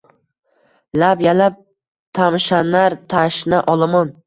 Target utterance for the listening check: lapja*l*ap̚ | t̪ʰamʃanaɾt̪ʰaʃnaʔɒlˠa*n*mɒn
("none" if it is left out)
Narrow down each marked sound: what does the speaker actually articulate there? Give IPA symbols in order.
l, none

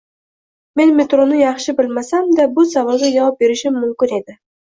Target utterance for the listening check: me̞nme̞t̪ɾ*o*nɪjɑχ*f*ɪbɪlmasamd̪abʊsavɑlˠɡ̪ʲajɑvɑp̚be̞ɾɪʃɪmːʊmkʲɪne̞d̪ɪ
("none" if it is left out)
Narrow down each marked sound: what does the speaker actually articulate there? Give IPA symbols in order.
o, ʃ

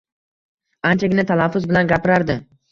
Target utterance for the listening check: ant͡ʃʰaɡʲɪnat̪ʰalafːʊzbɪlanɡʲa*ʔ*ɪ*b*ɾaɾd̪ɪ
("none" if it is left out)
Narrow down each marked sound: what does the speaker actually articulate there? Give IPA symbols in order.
p, none

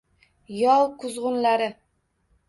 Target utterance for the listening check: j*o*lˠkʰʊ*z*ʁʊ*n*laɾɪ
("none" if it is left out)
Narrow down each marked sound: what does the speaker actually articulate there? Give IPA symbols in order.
ɒ, z, n

